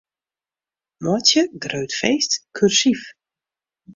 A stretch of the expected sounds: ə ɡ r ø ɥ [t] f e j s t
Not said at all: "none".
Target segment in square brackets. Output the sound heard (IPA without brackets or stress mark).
t